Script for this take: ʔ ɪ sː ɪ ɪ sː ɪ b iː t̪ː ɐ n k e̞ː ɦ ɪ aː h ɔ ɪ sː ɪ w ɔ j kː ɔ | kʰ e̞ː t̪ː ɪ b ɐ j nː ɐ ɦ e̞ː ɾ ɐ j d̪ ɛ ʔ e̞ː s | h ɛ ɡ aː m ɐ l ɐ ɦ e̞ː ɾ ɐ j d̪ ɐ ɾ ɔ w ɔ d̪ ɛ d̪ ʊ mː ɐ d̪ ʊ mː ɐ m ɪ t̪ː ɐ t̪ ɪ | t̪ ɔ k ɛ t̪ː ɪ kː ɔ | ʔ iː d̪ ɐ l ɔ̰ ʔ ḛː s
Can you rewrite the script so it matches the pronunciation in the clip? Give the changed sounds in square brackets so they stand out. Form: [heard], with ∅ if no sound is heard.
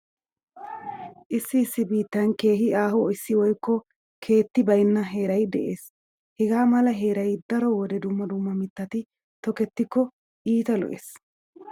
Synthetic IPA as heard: ʔ ɪ sː ɪ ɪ sː ɪ b iː t̪ː ɐ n k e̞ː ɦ ɪ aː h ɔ ɪ sː ɪ w ɔ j kː ɔ | kʰ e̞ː t̪ː ɪ b ɐ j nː ɐ ɦ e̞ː ɾ ɐ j d̪ ɛ ʔ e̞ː s | h ɛ ɡ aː m ɐ l ɐ ɦ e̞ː ɾ ɐ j d̪ ɐ ɾ ɔ w ɔ d̪ ɛ d̪ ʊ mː ɐ d̪ ʊ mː ɐ m ɪ t̪ː ɐ t̪ ɪ | t̪ ɔ k ɛ t̪ː ɪ kː ɔ | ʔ iː [t̪] ɐ l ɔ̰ ʔ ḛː s